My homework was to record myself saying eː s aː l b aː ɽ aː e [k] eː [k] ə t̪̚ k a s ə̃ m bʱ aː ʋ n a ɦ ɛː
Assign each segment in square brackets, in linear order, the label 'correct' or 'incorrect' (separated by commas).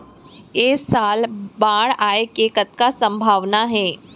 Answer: correct, correct